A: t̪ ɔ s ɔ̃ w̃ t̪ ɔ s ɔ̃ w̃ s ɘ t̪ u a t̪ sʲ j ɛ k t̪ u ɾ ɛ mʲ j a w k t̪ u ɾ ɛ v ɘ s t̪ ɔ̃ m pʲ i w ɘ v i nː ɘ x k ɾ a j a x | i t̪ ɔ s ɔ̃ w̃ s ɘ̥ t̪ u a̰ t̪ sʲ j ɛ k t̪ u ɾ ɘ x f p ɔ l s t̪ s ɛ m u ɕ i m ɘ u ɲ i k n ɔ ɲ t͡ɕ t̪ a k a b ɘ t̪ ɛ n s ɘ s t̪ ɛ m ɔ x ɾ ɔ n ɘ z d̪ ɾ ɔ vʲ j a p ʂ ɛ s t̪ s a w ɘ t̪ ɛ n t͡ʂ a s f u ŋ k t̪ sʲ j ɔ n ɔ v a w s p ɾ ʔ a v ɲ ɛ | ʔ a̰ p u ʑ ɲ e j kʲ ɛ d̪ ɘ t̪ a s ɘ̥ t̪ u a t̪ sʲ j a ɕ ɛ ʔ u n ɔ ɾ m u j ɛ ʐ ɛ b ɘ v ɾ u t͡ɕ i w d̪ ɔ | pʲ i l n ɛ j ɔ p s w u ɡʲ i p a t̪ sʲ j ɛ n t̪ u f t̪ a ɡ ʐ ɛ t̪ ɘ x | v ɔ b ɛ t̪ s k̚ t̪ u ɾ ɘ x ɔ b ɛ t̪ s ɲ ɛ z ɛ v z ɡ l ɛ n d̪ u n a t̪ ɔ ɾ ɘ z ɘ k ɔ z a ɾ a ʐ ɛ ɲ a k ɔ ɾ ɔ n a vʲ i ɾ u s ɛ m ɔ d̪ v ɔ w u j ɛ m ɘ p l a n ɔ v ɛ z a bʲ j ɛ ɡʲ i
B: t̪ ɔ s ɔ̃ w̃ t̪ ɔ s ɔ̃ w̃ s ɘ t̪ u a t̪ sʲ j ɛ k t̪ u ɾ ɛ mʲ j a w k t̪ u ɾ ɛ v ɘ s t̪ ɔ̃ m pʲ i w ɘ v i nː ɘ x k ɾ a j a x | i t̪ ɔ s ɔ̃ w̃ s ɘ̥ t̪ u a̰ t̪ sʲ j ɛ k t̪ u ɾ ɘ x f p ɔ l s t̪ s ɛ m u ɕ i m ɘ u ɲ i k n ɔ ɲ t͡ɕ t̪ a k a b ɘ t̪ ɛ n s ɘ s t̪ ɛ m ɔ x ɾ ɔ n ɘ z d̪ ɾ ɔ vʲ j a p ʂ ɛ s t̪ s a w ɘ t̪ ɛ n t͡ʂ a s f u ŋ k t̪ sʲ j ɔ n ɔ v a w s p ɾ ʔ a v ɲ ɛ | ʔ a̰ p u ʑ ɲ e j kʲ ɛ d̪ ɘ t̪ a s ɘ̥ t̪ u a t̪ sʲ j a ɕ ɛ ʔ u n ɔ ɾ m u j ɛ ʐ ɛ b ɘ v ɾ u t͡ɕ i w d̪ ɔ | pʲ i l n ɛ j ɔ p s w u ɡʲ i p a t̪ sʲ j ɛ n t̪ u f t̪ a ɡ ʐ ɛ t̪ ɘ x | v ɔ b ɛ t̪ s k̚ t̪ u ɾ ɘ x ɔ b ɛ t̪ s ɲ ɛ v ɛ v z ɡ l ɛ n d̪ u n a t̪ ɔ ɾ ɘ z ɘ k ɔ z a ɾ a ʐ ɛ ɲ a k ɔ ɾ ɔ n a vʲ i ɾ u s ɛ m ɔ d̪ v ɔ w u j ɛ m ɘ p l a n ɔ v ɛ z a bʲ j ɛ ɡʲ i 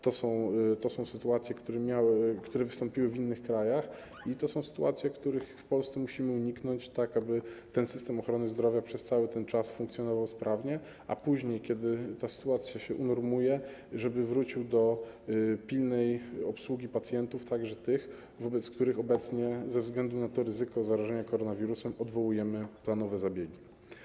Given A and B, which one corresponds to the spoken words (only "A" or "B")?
A